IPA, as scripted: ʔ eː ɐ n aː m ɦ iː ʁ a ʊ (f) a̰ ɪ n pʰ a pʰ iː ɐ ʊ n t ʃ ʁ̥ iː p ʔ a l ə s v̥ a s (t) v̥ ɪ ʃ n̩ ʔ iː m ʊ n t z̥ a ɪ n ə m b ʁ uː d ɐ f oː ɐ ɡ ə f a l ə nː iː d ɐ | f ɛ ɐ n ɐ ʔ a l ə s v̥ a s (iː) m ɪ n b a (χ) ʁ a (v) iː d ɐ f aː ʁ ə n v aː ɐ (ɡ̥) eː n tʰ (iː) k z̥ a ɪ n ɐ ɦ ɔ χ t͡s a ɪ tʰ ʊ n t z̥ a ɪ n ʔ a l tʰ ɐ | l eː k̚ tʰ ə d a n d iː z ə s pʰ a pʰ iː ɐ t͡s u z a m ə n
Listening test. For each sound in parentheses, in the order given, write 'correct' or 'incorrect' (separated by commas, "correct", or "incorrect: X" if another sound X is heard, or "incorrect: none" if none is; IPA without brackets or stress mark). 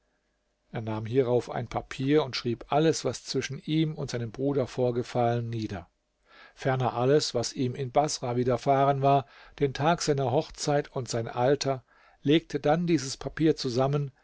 correct, incorrect: t͡s, correct, incorrect: s, correct, incorrect: d̥, incorrect: aː